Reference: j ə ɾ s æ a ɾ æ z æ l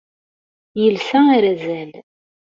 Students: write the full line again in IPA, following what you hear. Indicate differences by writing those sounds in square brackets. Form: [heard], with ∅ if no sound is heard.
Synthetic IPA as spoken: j ə [l] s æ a ɾ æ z æ l

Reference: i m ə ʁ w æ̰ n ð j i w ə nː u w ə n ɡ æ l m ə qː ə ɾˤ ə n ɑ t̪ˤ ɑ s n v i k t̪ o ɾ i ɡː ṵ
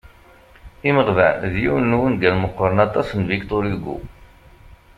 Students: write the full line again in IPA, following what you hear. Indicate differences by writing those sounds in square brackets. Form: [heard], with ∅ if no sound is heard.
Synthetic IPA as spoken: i m ə ʁ [v] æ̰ n ð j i w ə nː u w ə n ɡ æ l m ə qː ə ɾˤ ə n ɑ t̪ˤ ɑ s n v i k t̪ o ɾ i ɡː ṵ

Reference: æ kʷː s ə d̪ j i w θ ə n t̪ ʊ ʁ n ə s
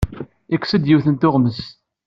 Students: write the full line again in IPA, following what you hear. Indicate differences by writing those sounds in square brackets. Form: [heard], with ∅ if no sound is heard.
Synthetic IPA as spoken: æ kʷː s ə d̪ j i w θ ə n t̪ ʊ ʁ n ə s

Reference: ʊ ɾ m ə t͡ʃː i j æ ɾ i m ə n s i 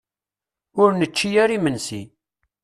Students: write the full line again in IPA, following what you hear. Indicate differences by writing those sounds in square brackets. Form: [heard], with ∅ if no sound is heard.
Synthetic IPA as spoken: ʊ ɾ [n] ə t͡ʃː i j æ ɾ i m ə n s i

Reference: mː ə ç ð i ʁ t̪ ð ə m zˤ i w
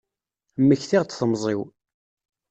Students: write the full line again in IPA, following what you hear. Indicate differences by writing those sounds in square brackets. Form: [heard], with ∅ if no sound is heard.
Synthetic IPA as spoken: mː ə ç [θ] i ʁ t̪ [θ] ə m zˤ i w

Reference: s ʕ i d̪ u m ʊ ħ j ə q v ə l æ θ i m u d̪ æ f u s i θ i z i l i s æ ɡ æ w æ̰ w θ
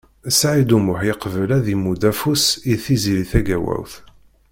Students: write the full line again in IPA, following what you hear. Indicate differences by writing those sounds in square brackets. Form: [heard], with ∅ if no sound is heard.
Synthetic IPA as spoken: s ʕ i d̪ u m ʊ ħ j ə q v ə l æ [ð] i m u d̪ æ f u s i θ i z i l i [θ] æ ɡ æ w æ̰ w θ

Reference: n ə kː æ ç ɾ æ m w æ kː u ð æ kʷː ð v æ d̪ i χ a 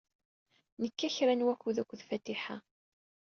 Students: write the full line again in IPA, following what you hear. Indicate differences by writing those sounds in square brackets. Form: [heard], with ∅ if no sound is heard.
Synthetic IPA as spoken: n ə kː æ ç ɾ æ [n] w æ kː u ð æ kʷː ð [f] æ [t̪] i [ħ] a

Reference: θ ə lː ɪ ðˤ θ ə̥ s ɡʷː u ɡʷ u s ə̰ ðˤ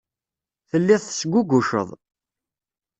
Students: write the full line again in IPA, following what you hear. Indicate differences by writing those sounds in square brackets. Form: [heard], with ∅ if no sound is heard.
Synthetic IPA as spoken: θ ə lː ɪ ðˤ θ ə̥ s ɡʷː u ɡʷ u [ʃ] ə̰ ðˤ

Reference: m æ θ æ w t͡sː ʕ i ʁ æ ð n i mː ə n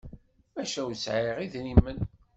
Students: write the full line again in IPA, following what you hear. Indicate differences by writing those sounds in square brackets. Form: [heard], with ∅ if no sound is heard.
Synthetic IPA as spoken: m æ [ʃ] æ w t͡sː ʕ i ʁ [i] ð n i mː ə n

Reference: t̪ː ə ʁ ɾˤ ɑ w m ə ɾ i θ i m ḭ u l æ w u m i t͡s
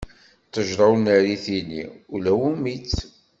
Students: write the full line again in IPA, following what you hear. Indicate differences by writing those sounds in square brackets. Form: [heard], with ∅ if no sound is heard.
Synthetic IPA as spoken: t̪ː ə [ʒ] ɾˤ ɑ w [n] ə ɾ i θ i [n] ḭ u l æ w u m i t͡s

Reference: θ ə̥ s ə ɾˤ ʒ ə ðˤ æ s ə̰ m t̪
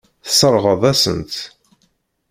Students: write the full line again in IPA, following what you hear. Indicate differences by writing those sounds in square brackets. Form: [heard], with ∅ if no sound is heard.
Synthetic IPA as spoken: θ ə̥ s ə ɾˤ [ʁ] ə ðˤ æ s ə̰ [n] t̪

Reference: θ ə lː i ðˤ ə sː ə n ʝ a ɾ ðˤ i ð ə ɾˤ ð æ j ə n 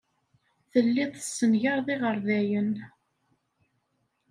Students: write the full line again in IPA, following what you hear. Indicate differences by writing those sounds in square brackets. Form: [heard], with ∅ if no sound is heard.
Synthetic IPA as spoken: θ ə lː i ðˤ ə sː ə n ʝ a ɾ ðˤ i [ʁ] ə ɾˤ ð æ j ə n

